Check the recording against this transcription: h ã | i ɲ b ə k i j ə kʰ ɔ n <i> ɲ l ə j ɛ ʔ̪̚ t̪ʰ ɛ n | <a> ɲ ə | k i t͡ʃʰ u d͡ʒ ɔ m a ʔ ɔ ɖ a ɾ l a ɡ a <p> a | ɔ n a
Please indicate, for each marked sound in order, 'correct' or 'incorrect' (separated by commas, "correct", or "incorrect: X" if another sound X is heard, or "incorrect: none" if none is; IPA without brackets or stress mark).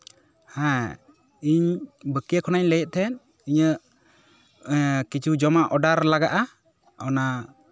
incorrect: a, incorrect: i, incorrect: ʔ